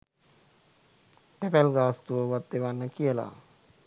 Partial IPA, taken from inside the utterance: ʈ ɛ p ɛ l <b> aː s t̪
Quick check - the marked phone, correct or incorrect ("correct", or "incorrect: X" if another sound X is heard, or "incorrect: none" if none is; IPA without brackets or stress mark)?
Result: incorrect: ɡ